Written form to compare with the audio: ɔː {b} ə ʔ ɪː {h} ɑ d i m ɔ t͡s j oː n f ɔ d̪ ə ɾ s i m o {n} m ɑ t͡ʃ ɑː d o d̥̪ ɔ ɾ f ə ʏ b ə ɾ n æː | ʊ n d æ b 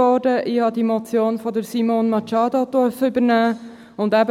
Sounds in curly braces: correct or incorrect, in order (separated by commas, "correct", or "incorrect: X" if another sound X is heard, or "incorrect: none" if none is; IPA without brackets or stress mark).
incorrect: d, correct, correct